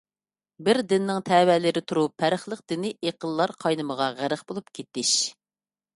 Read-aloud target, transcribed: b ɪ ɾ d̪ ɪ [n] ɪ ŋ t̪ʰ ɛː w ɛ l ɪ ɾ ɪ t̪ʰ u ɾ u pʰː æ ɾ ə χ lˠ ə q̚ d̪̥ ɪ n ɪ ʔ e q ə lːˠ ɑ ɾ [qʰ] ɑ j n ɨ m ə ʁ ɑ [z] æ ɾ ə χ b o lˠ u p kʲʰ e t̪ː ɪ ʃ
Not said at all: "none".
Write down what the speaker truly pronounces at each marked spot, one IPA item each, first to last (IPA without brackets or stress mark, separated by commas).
nː, qʰ, ʁ